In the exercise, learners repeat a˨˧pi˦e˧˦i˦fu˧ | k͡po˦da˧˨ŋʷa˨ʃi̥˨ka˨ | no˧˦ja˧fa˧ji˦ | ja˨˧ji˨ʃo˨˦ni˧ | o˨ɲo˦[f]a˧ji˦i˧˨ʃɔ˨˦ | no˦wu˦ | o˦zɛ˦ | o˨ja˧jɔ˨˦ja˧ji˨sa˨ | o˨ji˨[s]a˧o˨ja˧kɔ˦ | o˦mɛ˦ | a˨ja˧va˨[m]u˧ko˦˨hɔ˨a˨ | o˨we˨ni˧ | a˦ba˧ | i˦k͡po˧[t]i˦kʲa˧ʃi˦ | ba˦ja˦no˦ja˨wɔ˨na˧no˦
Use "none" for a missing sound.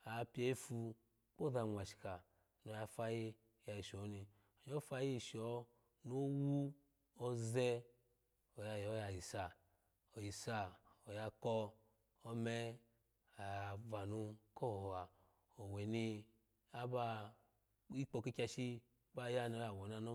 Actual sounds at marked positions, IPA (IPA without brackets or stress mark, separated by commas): f, s, n, k